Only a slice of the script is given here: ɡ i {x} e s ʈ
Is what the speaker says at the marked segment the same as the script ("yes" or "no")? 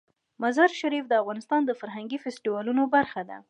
no